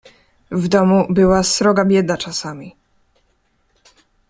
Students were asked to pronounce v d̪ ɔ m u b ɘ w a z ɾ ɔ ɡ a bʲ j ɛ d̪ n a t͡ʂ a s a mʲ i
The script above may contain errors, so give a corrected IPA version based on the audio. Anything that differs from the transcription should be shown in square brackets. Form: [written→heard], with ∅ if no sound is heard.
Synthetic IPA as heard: v d̪ ɔ m u b ɘ w a [z→s] ɾ ɔ ɡ a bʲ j ɛ d̪ n a t͡ʂ a s a mʲ i